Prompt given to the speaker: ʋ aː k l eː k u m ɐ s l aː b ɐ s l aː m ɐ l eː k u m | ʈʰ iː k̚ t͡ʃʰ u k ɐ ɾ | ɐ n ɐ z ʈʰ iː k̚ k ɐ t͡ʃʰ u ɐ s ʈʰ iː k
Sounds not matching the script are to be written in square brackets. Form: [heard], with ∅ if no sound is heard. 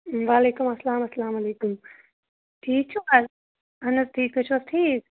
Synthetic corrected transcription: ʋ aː [∅] l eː k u m ɐ s l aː [m] ɐ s l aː m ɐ l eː k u m | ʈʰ iː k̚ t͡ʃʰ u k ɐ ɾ | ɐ n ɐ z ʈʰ iː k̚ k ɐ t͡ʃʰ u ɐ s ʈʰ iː k